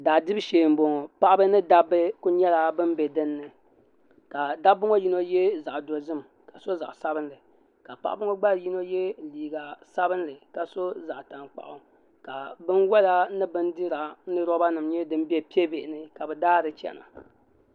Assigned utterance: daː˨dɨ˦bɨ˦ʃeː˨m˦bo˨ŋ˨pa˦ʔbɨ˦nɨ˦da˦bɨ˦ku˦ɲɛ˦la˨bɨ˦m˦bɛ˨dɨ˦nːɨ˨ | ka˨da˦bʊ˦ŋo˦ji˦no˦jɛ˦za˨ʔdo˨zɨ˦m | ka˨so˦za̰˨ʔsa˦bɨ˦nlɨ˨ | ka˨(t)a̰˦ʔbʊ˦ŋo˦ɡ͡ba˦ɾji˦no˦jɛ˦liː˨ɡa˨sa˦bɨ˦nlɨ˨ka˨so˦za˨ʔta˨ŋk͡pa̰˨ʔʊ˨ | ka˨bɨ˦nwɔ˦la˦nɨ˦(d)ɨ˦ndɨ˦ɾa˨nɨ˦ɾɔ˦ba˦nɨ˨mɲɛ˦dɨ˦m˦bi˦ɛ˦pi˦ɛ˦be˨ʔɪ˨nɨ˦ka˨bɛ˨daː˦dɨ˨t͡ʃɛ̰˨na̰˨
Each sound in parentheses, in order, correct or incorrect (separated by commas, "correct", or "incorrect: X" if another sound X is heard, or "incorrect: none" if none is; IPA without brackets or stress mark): incorrect: p, incorrect: b